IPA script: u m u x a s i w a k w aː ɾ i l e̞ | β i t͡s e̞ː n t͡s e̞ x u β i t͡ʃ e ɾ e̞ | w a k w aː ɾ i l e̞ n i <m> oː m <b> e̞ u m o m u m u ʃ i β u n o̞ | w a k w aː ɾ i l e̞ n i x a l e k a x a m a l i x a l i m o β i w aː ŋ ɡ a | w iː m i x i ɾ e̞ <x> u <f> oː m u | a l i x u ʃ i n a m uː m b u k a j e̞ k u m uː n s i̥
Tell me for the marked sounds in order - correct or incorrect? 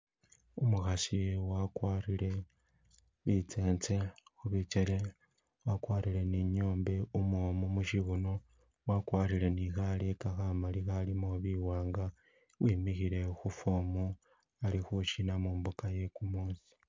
incorrect: ɲ, correct, correct, correct

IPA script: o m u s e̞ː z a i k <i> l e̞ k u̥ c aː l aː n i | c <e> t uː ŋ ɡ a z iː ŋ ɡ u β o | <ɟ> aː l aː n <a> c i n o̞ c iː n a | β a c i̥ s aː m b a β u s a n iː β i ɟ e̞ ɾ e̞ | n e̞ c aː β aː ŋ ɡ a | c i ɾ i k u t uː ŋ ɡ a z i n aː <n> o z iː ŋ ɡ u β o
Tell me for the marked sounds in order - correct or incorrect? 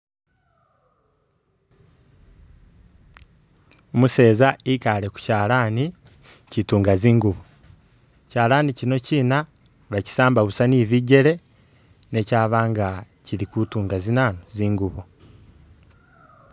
incorrect: a, incorrect: i, incorrect: c, incorrect: i, correct

